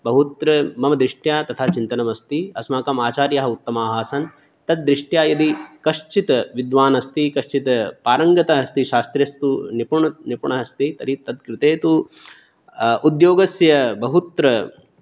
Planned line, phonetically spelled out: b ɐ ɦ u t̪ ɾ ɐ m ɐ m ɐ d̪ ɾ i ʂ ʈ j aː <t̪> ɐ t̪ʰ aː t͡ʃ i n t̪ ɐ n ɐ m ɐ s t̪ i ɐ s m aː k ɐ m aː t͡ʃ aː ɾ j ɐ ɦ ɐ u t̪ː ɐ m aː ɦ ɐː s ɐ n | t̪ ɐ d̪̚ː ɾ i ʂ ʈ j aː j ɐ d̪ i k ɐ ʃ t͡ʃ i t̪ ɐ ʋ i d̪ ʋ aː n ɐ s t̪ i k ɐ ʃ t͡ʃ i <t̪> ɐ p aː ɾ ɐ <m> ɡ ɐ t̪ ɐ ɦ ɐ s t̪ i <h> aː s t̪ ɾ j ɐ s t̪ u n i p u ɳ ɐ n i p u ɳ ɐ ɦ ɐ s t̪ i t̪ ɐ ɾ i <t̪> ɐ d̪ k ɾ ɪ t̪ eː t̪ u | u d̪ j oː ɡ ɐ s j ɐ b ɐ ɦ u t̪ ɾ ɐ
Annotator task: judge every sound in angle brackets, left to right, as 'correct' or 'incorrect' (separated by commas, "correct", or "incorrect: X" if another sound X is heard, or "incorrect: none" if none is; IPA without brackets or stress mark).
correct, correct, incorrect: ŋ, incorrect: ʃ, correct